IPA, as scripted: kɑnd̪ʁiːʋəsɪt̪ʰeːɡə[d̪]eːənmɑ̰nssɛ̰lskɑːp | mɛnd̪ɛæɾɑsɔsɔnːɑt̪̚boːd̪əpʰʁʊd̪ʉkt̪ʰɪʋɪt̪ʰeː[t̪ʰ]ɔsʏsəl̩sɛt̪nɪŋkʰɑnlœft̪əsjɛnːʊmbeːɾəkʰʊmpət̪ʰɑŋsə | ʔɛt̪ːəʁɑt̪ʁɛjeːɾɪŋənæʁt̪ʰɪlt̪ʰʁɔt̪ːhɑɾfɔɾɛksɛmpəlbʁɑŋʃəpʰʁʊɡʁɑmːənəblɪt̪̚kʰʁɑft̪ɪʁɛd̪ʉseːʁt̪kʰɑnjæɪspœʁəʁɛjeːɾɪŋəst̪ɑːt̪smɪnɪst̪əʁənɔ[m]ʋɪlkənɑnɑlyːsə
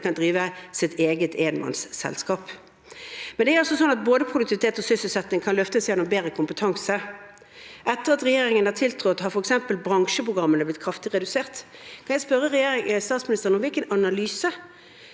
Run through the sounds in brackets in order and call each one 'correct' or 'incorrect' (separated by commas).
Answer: incorrect, incorrect, correct